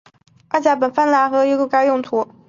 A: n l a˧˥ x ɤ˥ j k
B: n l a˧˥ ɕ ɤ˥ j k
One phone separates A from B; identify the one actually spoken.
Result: A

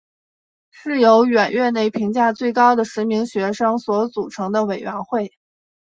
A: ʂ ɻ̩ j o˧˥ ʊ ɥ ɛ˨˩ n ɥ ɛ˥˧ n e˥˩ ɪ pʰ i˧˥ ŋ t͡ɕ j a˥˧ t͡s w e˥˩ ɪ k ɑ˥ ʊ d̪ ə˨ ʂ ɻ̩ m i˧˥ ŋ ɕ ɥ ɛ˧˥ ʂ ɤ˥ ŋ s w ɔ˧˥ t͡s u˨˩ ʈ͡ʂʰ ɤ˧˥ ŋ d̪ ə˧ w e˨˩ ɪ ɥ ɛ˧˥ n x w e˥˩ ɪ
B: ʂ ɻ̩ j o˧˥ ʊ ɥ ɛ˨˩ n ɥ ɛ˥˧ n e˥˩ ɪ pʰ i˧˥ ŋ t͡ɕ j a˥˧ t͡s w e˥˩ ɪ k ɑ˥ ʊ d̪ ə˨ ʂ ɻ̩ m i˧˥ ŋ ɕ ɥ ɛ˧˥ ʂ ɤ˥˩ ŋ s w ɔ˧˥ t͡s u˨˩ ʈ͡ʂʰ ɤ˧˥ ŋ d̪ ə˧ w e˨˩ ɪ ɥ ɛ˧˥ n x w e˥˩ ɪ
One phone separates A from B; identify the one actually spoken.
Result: A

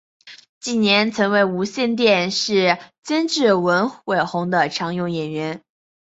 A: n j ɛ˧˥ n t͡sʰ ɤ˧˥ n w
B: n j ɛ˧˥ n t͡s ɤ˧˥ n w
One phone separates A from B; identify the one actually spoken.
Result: A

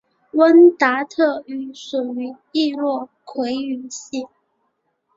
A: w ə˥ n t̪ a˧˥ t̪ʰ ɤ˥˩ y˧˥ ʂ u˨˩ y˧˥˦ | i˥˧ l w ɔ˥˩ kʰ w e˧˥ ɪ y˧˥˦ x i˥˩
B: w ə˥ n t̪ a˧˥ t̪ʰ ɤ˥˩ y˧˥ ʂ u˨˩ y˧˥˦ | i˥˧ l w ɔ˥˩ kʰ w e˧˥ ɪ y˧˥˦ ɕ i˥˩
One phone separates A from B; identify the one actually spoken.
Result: B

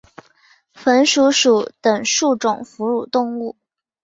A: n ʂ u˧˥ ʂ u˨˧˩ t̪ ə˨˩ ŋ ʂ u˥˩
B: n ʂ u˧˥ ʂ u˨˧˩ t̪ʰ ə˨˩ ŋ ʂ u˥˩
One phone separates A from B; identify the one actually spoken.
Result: A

